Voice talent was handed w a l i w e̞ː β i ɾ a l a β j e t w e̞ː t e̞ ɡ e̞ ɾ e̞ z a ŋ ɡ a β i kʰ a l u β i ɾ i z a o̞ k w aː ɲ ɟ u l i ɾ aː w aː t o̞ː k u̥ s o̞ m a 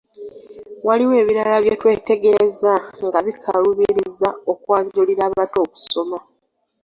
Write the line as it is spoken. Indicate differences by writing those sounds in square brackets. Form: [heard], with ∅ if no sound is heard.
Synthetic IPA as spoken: w a l i w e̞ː β i ɾ a l a β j e t w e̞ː t e̞ ɡ e̞ ɾ e̞ z a ŋ ɡ a β i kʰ a l u β i ɾ i z a o̞ k w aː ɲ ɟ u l i ɾ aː [β] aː t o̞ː k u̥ s o̞ m a